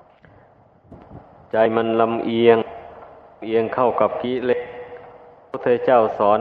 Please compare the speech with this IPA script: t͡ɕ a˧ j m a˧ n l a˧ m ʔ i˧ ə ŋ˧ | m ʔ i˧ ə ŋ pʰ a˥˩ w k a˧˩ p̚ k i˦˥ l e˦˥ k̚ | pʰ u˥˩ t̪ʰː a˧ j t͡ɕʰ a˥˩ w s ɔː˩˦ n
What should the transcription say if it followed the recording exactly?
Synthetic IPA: t͡ɕ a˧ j m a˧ n l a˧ m ʔ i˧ ə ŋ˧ | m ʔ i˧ ə ŋ kʰ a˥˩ w k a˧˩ p̚ k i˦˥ l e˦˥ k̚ | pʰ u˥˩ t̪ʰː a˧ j t͡ɕ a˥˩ w s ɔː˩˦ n